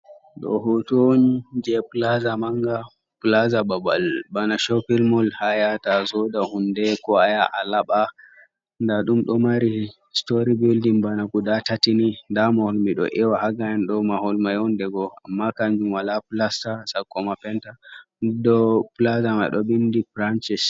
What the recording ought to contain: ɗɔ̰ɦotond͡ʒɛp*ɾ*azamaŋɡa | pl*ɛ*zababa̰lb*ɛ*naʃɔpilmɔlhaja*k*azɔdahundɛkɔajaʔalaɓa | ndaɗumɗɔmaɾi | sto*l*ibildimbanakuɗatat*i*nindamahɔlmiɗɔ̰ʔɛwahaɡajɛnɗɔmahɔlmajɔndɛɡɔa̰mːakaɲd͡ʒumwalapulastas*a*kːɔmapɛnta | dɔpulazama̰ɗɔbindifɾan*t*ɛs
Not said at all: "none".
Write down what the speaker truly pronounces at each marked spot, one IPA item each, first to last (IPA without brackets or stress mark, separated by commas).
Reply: l, a, a, t, ɾ, i, a, t͡ʃ